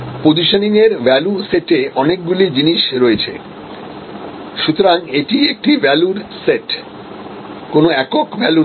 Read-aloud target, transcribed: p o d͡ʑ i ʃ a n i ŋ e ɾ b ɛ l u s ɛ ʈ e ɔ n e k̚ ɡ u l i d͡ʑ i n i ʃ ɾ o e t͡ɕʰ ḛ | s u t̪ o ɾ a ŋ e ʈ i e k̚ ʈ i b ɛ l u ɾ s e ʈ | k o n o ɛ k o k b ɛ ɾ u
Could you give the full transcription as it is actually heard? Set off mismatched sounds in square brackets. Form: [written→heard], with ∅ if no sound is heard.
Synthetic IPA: p o d͡ʑ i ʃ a n i ŋ e ɾ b ɛ l u s [ɛ→e] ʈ e ɔ n e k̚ ɡ u l i d͡ʑ i n i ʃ ɾ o e t͡ɕʰ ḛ | [s→ʃ] u t̪ o ɾ a ŋ e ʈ i e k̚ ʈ i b ɛ l u ɾ s e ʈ | k o n o ɛ k o k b ɛ [ɾ→l] u